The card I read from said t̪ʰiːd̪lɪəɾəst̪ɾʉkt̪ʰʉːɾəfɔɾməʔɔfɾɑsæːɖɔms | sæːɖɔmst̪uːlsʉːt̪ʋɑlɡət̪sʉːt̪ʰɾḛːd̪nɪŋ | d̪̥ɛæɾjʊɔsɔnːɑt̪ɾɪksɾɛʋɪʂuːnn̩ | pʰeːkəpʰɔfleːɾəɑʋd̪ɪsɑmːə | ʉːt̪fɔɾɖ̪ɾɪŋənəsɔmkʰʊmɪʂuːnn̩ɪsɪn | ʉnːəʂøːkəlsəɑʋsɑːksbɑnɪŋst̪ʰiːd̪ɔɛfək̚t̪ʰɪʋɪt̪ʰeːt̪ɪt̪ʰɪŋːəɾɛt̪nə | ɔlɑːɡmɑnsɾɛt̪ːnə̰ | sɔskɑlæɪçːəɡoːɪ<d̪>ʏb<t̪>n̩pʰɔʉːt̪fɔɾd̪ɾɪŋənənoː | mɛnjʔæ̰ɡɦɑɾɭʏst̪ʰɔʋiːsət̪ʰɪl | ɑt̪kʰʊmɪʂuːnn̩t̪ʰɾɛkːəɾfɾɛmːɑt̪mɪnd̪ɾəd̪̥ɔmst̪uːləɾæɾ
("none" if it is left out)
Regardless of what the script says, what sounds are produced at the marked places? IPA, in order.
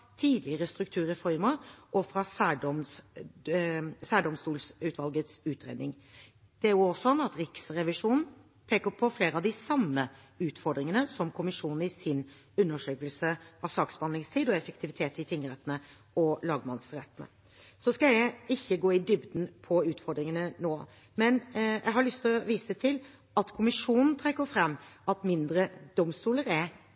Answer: d̪, d̪

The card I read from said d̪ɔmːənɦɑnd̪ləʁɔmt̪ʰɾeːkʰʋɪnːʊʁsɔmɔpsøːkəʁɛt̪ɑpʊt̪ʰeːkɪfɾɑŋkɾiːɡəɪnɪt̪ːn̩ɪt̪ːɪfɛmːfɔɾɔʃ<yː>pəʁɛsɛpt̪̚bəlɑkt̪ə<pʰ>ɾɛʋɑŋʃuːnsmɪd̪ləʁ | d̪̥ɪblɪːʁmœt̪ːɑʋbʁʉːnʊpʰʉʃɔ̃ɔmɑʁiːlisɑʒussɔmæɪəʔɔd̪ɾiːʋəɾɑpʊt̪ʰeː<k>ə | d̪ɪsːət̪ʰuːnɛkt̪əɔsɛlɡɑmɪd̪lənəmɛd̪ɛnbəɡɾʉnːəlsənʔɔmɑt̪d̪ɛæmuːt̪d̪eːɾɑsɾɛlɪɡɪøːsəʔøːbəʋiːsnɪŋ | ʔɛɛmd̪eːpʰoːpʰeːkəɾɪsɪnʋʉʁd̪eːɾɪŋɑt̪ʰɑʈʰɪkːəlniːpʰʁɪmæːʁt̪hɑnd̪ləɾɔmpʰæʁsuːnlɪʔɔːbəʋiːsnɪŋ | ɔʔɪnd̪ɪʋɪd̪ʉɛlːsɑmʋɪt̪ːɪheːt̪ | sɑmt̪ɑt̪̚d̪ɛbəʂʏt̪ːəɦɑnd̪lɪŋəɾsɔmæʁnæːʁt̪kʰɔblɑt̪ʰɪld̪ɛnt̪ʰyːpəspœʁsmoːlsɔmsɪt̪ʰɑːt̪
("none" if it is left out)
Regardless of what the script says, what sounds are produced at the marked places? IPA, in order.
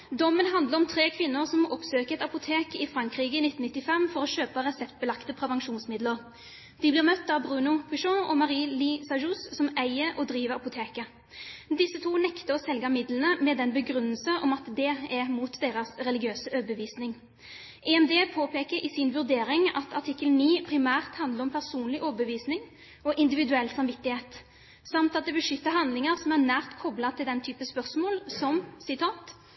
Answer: øː, pʰ, k

